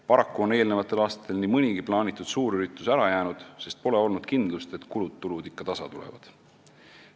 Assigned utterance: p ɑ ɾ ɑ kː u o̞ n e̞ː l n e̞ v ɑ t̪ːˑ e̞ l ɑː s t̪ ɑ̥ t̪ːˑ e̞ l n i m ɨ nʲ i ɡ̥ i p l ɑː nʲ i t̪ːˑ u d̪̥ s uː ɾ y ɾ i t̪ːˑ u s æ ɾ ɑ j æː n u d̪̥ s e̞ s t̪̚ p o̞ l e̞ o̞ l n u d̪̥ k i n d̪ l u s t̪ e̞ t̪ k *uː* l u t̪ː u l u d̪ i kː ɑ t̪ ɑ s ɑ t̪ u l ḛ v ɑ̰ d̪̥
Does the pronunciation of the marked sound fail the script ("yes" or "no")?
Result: yes